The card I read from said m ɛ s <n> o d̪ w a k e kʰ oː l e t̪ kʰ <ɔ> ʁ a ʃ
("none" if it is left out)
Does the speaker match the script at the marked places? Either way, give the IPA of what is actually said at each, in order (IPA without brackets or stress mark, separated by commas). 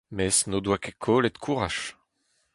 n, u